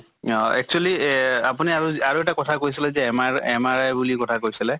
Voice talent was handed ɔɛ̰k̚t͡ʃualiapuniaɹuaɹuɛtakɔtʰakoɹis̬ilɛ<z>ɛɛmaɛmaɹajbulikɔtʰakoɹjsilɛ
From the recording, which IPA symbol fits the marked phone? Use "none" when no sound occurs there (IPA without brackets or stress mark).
z